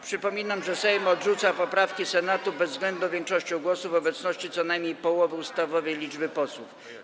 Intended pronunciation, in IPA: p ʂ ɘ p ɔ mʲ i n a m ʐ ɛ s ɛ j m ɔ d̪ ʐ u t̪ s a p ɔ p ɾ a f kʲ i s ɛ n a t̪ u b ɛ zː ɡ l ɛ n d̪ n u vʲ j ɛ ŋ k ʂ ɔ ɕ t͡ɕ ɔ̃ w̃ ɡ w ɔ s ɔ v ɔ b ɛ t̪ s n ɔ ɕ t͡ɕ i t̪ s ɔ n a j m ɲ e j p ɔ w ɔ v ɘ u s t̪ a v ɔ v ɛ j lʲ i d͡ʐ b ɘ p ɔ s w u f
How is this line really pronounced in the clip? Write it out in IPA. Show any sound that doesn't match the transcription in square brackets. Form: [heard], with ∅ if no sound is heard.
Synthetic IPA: p ʂ ɘ p ɔ mʲ i n a m ʐ ɛ s ɛ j m ɔ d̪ ʐ u t̪ s a p ɔ p ɾ a f kʲ i s ɛ n a t̪ u b ɛ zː ɡ l ɛ n d̪ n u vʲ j ɛ ŋ k ʂ ɔ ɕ t͡ɕ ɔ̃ w̃ ɡ w ɔ s [u] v ɔ b ɛ t̪ s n ɔ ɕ t͡ɕ i t̪ s ɔ n a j m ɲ e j p ɔ w ɔ v ɘ u s t̪ a v ɔ v ɛ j lʲ i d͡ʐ b ɘ p ɔ s w u f